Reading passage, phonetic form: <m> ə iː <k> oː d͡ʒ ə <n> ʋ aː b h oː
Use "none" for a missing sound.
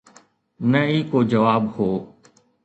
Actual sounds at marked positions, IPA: n, k, none

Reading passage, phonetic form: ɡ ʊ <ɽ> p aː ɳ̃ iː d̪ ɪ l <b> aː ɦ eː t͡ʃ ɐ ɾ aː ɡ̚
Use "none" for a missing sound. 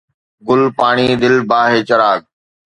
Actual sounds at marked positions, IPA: l, b

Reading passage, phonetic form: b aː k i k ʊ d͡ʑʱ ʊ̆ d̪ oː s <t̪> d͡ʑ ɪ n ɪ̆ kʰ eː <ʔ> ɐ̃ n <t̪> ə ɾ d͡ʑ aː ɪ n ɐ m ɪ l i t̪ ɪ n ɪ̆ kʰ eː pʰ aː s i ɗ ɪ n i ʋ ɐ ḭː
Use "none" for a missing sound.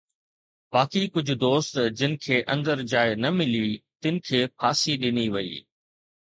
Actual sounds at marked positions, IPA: t̪, ʔ, d̪

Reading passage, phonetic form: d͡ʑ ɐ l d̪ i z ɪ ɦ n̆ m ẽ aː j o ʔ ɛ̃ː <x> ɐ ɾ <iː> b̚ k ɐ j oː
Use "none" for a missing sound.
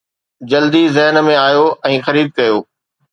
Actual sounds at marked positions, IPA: x, iː

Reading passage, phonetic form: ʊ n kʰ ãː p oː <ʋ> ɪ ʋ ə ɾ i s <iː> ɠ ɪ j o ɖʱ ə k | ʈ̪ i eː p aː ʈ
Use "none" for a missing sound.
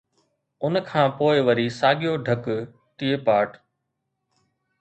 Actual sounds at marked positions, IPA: none, aː

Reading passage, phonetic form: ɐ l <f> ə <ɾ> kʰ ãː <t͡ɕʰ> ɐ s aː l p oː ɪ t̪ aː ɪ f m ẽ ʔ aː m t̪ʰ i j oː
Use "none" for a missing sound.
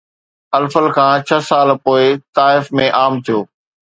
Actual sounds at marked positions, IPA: f, l, t͡ɕʰ

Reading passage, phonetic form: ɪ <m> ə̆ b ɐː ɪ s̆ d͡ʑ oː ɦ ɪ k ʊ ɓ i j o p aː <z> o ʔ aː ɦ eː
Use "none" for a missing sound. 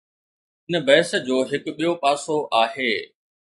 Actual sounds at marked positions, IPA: n, s

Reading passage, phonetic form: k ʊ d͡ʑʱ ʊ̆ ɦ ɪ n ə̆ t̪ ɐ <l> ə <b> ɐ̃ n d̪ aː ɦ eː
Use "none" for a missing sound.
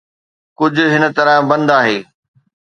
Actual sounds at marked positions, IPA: ɾ, b

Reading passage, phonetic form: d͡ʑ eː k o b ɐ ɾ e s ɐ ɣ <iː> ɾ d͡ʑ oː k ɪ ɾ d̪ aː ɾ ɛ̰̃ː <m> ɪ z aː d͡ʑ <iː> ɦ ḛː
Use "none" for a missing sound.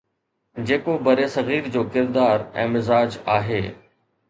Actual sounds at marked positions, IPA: iː, m, aː

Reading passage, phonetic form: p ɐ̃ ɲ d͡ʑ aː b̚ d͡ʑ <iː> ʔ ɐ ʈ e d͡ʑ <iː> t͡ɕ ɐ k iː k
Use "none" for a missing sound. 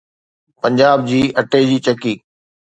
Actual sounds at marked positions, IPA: iː, iː

